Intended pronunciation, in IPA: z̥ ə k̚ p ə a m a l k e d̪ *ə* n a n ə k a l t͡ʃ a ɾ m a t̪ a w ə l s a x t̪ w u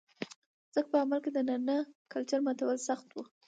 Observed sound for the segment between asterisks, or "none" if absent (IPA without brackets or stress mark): ə